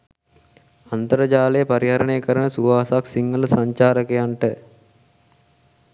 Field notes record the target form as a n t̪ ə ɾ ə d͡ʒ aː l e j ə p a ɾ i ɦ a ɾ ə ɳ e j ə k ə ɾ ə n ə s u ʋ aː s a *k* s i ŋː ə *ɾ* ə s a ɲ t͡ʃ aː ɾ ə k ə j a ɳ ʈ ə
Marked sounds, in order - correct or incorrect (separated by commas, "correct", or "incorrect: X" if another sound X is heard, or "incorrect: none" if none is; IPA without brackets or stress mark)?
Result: correct, incorrect: l